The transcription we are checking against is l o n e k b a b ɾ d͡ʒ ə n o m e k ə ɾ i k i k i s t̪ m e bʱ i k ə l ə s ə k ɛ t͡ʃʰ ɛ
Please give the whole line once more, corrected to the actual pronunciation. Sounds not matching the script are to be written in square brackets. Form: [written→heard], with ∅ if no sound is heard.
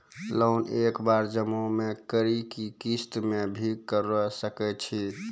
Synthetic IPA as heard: l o n e k b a [b→∅] ɾ d͡ʒ ə [n→m] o m e k ə ɾ i k i k i s t̪ m e bʱ i k ə [l→ɾ] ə s ə k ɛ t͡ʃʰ [ɛ→i]